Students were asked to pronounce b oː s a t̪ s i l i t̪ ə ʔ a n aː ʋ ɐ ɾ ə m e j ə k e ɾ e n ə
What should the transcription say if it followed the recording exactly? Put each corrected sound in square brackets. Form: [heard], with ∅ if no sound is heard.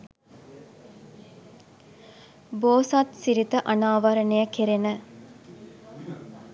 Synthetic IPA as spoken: b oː s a t̪ s i [ɾ] i t̪ ə ʔ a n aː ʋ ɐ ɾ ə [n] e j ə k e ɾ e n ə